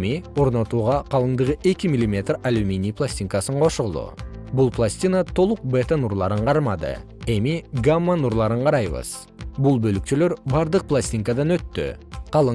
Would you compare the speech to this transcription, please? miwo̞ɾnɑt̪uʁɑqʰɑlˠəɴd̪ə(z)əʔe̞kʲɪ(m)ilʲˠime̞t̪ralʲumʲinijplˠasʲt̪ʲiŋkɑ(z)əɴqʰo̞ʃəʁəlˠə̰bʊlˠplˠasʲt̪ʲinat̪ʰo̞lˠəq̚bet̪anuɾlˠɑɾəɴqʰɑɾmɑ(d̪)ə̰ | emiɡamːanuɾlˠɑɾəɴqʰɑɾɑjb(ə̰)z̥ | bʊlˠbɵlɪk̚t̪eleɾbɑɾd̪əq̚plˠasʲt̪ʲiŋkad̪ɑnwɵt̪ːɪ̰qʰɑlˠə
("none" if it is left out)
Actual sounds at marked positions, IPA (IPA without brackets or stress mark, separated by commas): ʁ, m, s, d̪, ə̰